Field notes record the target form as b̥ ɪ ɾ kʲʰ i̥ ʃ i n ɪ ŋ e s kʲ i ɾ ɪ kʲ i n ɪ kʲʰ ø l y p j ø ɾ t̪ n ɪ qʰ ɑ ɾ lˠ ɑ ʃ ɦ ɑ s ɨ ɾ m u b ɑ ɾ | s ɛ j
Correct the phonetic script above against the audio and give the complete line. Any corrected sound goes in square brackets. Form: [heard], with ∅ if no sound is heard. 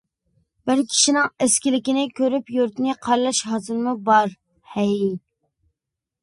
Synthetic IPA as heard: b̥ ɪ ɾ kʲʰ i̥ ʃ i n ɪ ŋ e s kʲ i [l] ɪ kʲ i n ɪ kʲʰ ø [ɾ] y p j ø ɾ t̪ n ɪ qʰ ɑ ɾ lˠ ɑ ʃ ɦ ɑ [z] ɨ ɾ m u b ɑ ɾ | [h] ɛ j